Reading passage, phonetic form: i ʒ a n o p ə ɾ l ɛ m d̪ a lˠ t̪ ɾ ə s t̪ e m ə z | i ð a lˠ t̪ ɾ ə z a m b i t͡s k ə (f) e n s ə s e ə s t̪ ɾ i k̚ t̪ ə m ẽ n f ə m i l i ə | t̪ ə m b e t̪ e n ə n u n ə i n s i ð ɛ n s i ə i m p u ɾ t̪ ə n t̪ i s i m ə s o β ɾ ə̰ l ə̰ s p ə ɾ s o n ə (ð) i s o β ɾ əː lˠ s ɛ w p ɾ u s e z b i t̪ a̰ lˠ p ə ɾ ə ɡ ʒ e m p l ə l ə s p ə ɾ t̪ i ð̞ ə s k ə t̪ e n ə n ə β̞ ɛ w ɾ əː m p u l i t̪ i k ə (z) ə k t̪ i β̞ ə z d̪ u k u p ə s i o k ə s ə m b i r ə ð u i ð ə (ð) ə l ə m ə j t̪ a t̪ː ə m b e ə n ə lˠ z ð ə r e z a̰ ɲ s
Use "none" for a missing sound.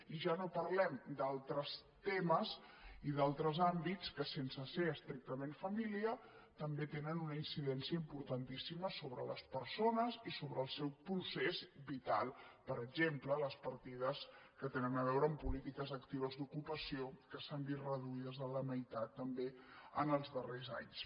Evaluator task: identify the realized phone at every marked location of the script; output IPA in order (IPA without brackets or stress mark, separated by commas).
s, z, z, z